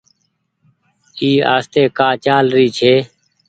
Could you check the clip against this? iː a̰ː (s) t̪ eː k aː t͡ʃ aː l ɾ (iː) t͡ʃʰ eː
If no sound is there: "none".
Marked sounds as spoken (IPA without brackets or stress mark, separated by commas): s, iː